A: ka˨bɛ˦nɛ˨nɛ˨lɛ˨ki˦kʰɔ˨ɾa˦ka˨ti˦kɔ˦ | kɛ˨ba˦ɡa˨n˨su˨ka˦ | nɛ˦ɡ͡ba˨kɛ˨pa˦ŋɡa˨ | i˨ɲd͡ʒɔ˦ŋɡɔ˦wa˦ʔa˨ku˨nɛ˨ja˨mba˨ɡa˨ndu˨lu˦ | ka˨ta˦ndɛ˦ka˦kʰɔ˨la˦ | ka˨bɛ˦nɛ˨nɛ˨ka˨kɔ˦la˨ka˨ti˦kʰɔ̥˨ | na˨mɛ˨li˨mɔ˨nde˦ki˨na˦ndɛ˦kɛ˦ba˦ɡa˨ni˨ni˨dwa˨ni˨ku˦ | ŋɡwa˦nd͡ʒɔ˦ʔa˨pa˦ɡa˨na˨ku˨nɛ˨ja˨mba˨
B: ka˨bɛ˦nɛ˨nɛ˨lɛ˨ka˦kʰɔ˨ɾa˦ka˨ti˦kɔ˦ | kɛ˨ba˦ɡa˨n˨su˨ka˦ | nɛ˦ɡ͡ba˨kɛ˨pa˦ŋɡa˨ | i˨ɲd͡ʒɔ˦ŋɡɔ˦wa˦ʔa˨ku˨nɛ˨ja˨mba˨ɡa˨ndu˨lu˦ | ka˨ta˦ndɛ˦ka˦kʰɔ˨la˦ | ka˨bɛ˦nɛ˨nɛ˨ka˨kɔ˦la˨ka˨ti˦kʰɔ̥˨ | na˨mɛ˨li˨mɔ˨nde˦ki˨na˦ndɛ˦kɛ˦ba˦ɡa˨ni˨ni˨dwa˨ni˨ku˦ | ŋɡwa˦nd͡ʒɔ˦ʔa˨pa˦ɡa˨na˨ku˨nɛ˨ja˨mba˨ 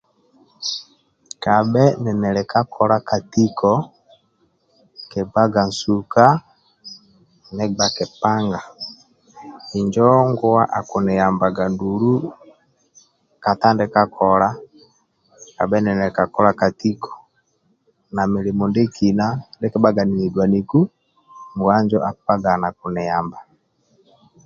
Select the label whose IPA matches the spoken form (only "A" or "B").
B